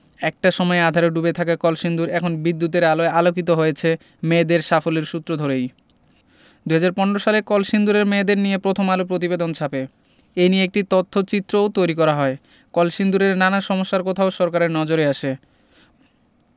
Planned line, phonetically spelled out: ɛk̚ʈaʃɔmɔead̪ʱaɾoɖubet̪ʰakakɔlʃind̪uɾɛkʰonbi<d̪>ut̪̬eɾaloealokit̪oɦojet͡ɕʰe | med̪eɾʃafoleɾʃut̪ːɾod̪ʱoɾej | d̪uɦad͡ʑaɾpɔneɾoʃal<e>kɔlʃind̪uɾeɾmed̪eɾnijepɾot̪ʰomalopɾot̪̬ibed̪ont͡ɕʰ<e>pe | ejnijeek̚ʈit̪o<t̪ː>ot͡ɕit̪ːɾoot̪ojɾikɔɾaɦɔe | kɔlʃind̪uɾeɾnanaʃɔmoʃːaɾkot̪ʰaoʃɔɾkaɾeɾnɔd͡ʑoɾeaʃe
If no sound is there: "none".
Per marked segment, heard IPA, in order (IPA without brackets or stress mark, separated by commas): d̪ː, e, a, t̪ʰː